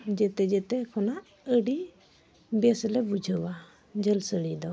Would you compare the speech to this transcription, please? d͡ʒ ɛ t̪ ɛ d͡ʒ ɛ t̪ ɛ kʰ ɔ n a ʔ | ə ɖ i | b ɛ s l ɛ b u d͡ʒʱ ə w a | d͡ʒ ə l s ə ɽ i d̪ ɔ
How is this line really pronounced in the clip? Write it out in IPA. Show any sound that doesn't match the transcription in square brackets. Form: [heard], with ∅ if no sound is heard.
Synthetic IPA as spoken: d͡ʒ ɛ t̪ ɛ d͡ʒ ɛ t̪ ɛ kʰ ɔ n a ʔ | ə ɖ i | b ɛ s l ɛ b u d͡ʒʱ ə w a | d͡ʒ ə l s ə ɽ i d̪ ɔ

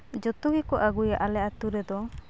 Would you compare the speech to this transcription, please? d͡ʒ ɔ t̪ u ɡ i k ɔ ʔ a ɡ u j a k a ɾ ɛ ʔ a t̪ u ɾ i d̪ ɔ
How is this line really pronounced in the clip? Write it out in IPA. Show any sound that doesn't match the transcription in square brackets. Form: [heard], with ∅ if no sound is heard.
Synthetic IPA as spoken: d͡ʒ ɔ t̪ u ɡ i k ɔ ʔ a ɡ u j a [ʔ] a [l] ɛ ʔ a t̪ u ɾ [ɛ] d̪ ɔ

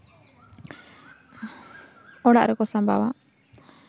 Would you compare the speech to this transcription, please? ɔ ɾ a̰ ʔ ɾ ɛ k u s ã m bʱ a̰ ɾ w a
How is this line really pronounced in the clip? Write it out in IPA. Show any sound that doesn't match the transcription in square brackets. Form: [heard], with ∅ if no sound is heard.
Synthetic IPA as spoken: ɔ [ɽ] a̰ ʔ ɾ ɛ k [ɔ] s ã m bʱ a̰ [∅] w a

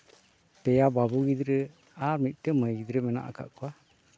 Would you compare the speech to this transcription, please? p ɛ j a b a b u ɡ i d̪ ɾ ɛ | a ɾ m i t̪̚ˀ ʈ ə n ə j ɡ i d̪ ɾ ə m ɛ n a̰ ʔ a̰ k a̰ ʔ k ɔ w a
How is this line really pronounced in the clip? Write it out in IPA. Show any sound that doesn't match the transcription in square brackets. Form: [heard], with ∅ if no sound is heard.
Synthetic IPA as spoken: p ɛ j a b a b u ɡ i d̪ ɾ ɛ | a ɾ m i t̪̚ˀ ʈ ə [m] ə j ɡ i d̪ ɾ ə m ɛ n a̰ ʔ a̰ k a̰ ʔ k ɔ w a

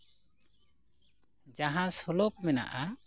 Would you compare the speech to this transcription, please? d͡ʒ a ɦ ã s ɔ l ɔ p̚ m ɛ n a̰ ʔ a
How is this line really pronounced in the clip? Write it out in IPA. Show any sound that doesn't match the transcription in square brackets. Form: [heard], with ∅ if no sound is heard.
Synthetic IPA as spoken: d͡ʒ a ɦ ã s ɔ l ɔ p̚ m ɛ n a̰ ʔ a

